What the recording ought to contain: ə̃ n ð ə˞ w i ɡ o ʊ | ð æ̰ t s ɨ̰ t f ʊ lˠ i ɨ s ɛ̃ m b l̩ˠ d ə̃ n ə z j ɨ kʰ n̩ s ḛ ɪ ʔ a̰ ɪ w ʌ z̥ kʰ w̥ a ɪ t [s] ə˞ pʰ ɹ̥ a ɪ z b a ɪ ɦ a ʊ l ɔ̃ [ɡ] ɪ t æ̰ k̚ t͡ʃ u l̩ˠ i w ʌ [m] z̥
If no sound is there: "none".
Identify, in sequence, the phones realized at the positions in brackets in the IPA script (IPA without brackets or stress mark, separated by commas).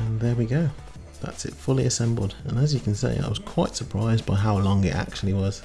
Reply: s, ŋ, none